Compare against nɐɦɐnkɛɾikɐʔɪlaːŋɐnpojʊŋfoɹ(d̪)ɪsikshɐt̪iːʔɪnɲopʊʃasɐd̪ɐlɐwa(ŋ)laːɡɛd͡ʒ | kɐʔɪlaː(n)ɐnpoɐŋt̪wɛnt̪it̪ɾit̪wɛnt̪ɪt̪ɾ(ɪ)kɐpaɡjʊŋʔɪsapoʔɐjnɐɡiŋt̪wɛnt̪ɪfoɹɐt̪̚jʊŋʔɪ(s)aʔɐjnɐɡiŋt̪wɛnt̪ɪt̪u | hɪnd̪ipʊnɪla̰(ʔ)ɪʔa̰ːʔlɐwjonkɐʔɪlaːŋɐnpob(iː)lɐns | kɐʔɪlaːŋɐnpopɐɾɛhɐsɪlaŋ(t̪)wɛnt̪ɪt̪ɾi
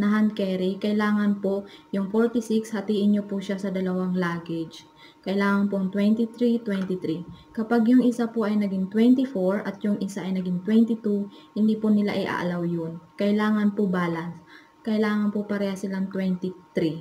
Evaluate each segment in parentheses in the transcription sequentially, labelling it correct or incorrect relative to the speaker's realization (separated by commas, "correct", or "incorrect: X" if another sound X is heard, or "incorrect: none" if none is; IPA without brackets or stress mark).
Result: incorrect: t̪, correct, incorrect: ŋ, incorrect: i, correct, correct, incorrect: aː, correct